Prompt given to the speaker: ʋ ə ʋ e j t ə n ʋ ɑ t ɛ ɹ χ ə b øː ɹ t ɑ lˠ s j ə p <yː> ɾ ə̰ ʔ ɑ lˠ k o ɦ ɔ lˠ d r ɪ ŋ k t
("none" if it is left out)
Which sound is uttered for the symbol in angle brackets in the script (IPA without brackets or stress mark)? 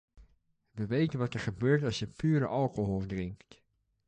yː